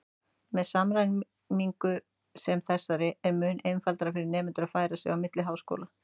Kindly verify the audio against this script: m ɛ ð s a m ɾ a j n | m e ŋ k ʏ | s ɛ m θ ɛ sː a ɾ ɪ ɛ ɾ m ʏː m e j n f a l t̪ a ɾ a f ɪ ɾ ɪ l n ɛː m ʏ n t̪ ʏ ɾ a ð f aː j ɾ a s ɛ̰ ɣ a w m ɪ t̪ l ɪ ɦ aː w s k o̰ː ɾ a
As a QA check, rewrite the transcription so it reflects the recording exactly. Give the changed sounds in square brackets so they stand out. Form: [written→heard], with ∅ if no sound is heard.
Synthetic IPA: m ɛ ð s a m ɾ a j n | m [e→i] ŋ k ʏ | s ɛ m θ ɛ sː a ɾ ɪ ɛ ɾ m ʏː [m→n] e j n f a l t̪ a ɾ a f ɪ ɾ ɪ [l→ɾ] n ɛː m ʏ n t̪ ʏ ɾ a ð f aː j ɾ a s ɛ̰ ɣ a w m ɪ t̪ l ɪ ɦ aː w s k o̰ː [ɾ→l] a